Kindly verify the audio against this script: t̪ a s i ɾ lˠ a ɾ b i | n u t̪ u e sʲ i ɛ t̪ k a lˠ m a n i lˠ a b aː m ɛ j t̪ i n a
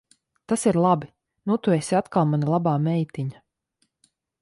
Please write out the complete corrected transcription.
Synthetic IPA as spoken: t̪ a s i ɾ lˠ a b i | n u t̪ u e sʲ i a t̪ k a lˠ m a n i lˠ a b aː m ɛ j t̪ i ɲ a